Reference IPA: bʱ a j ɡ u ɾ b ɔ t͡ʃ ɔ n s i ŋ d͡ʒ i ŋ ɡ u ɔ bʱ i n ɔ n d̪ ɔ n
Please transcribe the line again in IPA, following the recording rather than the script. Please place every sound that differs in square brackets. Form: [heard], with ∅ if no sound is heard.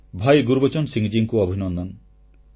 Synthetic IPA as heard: bʱ a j ɡ u ɾ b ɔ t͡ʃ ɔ n s i ŋ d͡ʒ i ŋ [k] u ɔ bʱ i n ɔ n d̪ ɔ n